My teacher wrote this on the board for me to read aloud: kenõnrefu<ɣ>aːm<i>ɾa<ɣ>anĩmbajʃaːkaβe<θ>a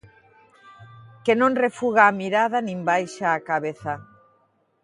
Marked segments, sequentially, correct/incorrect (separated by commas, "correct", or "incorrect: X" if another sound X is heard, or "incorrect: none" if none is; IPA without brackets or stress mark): correct, correct, incorrect: ð, correct